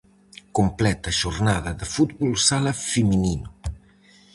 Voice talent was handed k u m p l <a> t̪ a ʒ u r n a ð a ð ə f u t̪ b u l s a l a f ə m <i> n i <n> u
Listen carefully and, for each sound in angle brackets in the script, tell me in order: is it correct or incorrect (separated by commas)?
incorrect, correct, correct